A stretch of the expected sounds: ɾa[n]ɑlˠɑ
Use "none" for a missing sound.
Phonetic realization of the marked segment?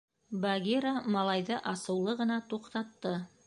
m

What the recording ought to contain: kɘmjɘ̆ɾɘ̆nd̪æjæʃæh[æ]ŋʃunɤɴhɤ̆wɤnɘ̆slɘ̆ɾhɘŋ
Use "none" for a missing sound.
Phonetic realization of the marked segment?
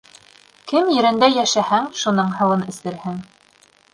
æ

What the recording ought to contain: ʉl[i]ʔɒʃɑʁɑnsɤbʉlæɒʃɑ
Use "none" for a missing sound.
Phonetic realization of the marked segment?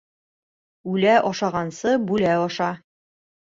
æ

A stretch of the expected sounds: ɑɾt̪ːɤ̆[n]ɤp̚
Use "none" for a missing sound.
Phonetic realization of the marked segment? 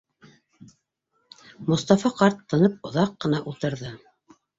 n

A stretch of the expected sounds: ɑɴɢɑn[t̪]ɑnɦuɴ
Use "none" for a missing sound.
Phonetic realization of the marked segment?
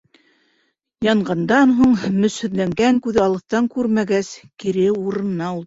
d̪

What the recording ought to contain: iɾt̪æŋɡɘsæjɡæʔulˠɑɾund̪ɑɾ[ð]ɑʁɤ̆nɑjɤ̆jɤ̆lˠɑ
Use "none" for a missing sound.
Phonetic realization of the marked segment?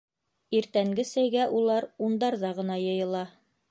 ð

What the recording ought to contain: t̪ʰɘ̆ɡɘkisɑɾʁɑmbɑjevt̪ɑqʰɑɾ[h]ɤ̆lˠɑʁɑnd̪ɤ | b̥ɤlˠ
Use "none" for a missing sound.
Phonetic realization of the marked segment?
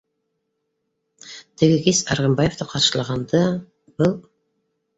ʃ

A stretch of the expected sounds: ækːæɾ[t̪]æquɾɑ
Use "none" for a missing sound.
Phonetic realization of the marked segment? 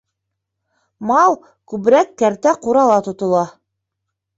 t̪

